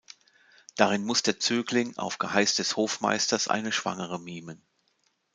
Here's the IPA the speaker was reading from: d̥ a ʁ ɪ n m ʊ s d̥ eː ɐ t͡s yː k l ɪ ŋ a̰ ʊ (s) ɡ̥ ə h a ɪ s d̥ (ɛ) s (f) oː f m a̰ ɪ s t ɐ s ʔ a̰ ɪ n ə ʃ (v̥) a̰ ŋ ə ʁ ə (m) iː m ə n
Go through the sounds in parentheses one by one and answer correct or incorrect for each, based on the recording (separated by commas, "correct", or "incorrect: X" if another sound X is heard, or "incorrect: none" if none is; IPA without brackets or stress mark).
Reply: incorrect: f, correct, incorrect: h, correct, correct